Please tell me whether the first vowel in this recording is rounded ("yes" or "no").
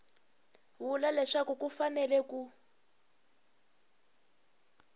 yes